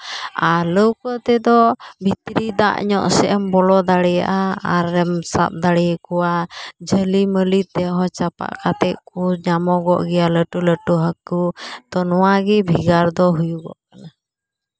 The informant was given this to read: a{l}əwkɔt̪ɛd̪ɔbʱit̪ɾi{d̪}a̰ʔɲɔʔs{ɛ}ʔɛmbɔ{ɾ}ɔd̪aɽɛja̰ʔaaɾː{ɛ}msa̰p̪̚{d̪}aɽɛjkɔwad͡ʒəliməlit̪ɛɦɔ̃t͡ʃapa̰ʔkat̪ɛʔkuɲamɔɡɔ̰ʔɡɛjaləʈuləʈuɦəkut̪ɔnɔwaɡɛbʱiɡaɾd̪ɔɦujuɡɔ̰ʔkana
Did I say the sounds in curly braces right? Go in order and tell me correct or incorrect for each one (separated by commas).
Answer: correct, correct, correct, incorrect, correct, correct